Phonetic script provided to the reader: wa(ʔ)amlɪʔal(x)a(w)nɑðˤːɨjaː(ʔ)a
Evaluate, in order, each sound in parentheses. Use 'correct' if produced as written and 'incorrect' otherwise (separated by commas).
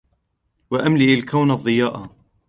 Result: correct, incorrect, correct, correct